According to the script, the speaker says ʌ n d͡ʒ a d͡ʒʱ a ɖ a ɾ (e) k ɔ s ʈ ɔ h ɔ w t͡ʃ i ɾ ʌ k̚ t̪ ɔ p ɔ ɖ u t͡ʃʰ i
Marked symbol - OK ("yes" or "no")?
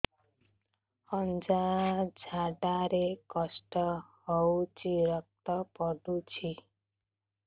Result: yes